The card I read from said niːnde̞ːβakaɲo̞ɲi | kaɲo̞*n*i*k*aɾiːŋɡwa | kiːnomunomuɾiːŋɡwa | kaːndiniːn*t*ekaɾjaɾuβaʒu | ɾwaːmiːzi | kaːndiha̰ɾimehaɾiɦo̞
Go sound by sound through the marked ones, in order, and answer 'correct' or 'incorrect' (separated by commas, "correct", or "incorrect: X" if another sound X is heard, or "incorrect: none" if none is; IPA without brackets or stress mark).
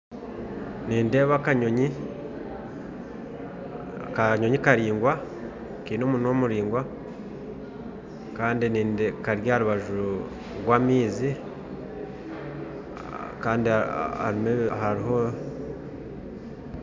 incorrect: ɲ, correct, incorrect: d